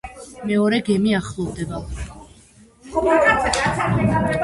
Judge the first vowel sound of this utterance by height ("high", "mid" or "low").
mid